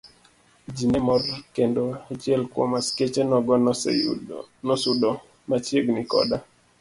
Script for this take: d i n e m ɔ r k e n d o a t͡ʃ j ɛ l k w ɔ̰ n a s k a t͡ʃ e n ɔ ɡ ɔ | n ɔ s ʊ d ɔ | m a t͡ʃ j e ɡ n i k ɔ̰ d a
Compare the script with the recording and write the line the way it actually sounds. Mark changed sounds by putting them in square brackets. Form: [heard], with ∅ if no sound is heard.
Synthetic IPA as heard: [d͡ʒ] i n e m ɔ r k e n d o a t͡ʃ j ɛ l k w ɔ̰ [m] a s k [e] t͡ʃ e n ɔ ɡ ɔ | n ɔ s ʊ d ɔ | m a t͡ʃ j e ɡ n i k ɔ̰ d a